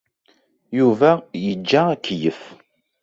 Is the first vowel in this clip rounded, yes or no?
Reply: yes